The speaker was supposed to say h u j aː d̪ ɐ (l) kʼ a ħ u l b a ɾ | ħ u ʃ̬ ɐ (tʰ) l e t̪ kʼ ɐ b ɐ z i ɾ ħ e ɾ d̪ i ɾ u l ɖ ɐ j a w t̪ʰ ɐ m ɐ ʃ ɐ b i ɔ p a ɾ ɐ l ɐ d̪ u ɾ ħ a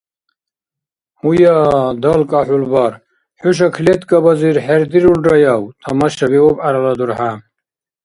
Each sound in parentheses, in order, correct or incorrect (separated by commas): correct, incorrect